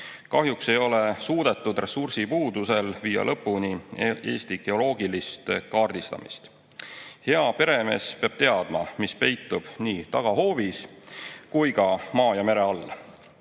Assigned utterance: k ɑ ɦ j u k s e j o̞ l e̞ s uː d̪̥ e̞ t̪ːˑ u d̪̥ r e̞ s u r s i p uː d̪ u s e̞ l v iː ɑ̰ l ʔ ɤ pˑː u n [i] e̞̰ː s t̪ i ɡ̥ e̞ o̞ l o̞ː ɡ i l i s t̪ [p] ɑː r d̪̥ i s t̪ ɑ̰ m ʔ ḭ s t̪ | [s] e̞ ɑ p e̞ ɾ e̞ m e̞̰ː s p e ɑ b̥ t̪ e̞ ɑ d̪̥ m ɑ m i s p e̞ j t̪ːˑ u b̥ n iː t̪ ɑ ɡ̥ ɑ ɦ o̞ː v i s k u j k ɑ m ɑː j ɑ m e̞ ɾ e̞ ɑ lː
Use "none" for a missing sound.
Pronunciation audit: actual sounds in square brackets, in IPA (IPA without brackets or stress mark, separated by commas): i, k, h